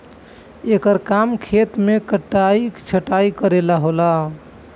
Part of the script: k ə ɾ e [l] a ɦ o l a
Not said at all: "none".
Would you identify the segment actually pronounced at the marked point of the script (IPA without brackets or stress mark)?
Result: l